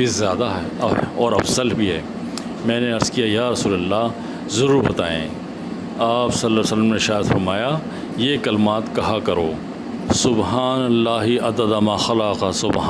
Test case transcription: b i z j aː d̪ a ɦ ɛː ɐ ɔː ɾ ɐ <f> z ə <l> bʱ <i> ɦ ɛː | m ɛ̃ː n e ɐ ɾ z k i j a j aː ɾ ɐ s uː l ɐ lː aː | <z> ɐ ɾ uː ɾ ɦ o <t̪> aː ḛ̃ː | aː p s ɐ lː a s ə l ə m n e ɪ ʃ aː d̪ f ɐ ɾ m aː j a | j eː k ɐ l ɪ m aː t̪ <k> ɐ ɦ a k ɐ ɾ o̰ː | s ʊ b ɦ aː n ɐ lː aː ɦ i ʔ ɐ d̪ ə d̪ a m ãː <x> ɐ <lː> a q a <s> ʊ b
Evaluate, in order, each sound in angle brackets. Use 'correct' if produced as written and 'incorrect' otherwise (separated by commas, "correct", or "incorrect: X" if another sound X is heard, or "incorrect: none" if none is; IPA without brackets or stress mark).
correct, correct, correct, correct, correct, correct, correct, incorrect: l, correct